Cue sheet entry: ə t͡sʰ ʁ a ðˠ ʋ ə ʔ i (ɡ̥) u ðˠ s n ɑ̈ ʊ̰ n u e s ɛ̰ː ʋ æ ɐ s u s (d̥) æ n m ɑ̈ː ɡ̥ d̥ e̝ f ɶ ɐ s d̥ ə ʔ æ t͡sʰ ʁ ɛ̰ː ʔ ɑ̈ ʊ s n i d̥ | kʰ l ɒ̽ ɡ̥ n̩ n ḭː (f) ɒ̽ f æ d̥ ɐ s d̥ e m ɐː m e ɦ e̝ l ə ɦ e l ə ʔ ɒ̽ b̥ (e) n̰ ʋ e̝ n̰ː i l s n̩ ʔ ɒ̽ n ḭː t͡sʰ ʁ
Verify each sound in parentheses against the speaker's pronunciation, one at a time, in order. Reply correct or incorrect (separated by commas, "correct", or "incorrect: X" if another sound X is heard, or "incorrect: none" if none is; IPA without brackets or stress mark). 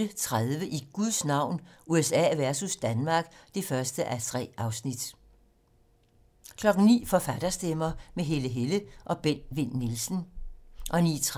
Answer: correct, correct, correct, correct